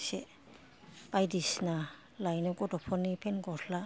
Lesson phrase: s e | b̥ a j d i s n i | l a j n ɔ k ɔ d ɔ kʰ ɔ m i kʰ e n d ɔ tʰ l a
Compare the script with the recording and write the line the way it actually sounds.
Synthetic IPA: s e | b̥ a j d i s n a | l a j n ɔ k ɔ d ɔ pʰ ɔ n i pʰ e n ɡ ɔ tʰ l a